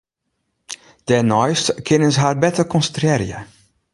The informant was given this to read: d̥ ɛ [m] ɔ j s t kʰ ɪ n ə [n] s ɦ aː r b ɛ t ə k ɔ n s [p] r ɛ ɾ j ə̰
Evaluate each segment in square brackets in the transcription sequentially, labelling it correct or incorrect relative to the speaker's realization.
incorrect, correct, incorrect

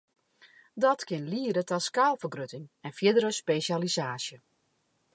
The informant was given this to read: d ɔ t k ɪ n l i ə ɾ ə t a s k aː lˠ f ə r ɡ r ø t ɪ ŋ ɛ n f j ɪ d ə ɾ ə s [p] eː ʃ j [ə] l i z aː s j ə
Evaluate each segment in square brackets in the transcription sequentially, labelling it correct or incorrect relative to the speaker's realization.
correct, incorrect

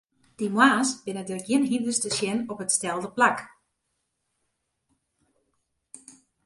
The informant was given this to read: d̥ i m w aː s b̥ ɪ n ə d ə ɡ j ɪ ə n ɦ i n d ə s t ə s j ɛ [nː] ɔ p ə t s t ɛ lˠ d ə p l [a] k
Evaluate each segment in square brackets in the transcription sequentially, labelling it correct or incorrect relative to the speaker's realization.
incorrect, correct

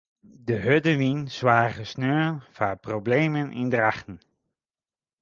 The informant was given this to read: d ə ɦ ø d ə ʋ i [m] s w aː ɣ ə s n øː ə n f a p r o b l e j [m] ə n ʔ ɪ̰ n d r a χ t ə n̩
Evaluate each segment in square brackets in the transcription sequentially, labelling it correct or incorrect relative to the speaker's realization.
incorrect, correct

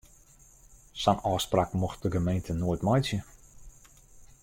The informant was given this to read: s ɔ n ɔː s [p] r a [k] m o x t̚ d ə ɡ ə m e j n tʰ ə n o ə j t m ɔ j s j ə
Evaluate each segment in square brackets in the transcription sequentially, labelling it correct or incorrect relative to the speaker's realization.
correct, correct

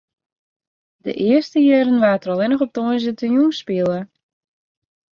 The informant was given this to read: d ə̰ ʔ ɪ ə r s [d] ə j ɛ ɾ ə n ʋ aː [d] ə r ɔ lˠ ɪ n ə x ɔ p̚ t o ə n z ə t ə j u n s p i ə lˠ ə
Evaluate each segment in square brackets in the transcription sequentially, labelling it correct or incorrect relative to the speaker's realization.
incorrect, incorrect

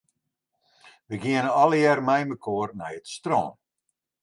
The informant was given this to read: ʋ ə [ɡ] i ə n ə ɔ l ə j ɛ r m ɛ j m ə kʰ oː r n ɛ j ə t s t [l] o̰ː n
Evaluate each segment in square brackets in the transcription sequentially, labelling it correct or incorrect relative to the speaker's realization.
correct, incorrect

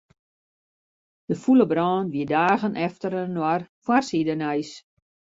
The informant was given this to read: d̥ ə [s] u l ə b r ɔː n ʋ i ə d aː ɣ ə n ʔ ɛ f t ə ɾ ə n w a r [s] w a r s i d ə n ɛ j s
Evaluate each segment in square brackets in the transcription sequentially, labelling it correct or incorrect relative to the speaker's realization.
incorrect, incorrect

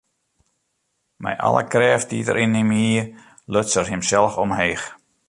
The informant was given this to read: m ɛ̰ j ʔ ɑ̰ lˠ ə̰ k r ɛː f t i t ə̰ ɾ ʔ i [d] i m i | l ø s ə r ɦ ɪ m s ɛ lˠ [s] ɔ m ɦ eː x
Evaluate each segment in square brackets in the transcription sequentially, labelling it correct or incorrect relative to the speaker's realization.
incorrect, incorrect

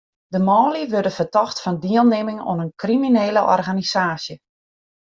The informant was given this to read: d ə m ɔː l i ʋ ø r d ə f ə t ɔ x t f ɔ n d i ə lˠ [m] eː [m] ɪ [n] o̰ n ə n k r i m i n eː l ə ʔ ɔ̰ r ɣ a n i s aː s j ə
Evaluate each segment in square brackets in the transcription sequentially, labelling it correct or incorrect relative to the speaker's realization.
incorrect, correct, incorrect

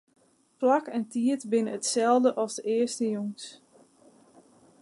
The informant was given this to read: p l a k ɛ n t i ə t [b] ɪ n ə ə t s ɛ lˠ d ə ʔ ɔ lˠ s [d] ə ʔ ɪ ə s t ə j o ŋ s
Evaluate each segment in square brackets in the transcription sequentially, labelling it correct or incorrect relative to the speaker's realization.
correct, correct

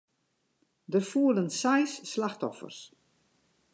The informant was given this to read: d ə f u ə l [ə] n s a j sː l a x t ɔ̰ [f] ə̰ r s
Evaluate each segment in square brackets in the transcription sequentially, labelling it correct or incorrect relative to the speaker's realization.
correct, correct

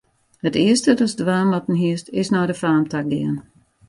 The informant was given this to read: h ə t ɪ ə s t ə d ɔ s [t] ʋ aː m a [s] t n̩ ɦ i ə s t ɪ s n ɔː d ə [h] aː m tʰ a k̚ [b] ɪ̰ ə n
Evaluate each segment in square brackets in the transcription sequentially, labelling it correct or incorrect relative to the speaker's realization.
incorrect, incorrect, incorrect, incorrect

